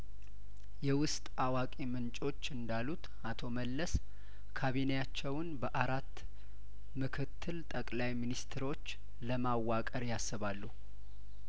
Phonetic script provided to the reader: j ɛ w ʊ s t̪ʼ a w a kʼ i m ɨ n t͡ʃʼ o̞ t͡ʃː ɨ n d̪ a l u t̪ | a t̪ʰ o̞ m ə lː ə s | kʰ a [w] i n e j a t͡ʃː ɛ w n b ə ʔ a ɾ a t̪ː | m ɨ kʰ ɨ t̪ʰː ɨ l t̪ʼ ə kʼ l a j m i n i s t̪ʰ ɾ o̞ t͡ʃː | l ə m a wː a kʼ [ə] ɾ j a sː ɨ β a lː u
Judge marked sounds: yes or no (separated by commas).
no, yes